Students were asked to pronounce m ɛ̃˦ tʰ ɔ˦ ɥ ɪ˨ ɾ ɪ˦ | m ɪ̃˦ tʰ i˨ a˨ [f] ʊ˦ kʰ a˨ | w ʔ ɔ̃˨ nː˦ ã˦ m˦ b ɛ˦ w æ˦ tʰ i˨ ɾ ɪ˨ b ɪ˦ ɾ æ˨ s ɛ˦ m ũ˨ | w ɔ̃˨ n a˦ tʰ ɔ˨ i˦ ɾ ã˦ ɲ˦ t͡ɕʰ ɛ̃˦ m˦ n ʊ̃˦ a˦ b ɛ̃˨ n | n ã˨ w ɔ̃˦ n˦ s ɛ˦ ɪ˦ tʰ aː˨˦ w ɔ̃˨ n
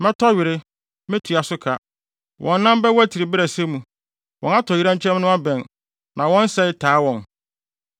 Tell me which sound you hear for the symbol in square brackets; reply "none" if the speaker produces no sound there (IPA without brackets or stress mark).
s